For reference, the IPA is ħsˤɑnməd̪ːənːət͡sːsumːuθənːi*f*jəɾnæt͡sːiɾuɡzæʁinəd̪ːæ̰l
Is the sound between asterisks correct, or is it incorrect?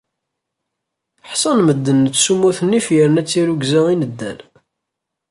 correct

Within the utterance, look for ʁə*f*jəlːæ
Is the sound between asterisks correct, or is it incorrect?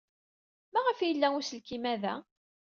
correct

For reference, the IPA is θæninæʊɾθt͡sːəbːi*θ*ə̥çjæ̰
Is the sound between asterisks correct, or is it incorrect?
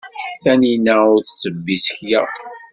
incorrect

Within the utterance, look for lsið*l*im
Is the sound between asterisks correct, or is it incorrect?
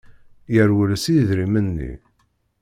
incorrect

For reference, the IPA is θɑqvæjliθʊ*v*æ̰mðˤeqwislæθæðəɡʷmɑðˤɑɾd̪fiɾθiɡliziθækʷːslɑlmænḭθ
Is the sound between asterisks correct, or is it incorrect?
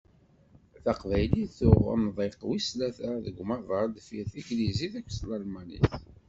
incorrect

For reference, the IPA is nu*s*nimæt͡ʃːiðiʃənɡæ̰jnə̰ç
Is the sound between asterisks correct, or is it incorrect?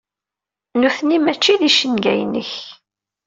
incorrect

